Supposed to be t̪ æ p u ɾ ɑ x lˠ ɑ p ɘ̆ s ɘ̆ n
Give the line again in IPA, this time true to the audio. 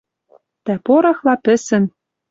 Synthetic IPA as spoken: t̪ æ p o ɾ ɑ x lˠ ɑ p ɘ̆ s ɘ̆ n

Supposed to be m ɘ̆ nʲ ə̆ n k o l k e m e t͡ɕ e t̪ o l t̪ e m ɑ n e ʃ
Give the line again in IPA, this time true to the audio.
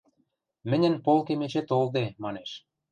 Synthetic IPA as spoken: m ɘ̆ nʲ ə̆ n p o l k e m e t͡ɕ e t̪ o l d̪ e m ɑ n e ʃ

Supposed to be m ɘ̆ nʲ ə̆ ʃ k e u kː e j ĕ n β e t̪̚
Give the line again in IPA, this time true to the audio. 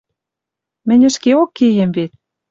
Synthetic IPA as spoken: m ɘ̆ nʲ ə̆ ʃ k e o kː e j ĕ m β e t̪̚

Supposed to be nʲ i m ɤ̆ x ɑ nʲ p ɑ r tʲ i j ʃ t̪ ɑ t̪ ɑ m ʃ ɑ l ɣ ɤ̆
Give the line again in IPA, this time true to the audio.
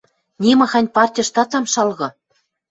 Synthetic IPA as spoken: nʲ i m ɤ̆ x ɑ nʲ p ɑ r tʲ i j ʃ t̪ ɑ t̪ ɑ m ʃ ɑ l ɣ ɤ̆

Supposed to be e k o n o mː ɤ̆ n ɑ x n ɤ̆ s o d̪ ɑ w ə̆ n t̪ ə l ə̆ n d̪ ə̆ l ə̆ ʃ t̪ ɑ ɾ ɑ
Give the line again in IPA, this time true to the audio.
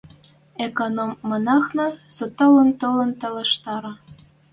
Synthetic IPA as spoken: e k o n o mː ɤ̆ n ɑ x n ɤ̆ s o t̪ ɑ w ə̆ n t̪ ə l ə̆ n t̪ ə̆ l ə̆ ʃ t̪ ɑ ɾ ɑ

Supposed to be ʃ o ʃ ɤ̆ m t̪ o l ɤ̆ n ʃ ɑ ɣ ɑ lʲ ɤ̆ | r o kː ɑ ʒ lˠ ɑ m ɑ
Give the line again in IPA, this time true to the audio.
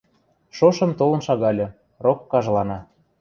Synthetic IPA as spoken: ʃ o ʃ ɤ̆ m t̪ o l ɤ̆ n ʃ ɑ ɣ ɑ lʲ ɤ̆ | r o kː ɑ ʒ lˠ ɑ n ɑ

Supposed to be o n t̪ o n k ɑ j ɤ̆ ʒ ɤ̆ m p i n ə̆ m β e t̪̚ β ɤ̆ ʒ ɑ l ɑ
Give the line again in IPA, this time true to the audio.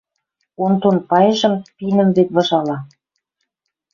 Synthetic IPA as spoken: o n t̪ o n p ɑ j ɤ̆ ʒ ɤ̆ m p i n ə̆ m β e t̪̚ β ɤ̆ ʒ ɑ l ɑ

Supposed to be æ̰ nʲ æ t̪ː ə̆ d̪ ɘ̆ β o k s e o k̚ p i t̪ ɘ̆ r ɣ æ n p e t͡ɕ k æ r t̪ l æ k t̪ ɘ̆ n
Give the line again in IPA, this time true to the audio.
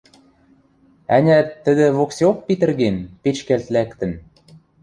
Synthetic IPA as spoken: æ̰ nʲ æ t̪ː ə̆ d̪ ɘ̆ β o k s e o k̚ p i t̪ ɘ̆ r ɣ e n p e t͡ɕ k æ l t̪ l æ k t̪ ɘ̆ n

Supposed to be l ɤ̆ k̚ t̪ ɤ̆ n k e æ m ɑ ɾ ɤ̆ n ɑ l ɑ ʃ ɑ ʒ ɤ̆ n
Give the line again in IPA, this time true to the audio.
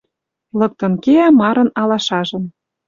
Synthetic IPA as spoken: l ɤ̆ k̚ t̪ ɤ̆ n k e æ m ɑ ɾ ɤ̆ n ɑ l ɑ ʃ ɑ ʒ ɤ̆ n

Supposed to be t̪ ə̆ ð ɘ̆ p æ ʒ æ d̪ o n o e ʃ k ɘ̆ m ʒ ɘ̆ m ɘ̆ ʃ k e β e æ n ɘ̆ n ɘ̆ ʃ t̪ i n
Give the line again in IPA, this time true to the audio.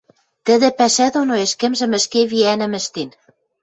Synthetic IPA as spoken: t̪ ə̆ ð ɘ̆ p æ ʃ æ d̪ o n o e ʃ k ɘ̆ m ʒ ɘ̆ m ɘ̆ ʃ k e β i æ n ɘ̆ m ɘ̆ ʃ t̪ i n

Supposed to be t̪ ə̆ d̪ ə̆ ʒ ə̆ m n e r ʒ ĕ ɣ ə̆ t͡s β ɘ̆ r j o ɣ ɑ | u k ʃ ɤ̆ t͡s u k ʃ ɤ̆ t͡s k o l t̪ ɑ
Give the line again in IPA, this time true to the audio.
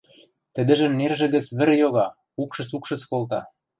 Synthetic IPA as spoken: t̪ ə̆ d̪ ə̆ ʒ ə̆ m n e r ʒ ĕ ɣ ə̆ t͡s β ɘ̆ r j o ɣ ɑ | u k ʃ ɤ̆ t͡s u k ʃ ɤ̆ t͡s k o l t̪ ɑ

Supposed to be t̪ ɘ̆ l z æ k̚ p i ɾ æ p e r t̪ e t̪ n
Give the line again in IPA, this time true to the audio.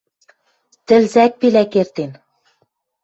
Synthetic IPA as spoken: t̪ ɘ̆ l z æ k̚ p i l æ k e r t̪ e n

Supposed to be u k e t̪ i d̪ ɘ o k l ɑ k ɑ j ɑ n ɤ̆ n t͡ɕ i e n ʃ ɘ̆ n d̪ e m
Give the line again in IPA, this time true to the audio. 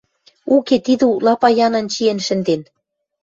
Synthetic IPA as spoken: u k e t̪ i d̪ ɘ u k l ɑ p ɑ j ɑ n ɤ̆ n t͡ɕ i e n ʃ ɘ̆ n d̪ e n

